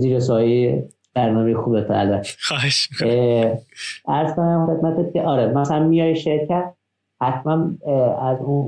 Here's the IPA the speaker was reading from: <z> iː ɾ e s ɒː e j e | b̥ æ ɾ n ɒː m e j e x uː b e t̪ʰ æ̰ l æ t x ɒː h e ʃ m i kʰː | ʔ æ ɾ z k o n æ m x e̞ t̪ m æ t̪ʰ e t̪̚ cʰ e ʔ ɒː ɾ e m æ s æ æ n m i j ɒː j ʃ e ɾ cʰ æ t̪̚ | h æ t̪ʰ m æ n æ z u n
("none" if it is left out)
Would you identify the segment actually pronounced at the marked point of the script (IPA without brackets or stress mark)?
z